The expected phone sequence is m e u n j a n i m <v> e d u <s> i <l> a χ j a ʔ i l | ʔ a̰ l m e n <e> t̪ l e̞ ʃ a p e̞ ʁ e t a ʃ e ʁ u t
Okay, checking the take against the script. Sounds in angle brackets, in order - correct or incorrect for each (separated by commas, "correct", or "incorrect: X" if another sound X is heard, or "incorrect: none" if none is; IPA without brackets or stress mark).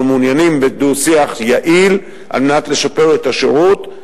incorrect: b, correct, incorrect: none, incorrect: a